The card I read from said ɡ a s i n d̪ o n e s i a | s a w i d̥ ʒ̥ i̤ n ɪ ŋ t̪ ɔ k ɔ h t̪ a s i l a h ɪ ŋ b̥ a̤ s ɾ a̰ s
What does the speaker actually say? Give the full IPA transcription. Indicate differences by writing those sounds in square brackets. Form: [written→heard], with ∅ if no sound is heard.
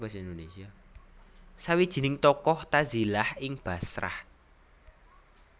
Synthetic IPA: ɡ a s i n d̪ o n e s i a | s a w i d̥ ʒ̥ i̤ n ɪ ŋ t̪ ɔ k ɔ h t̪ a [s→z] i l a h ɪ ŋ b̥ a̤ s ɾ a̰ [s→h]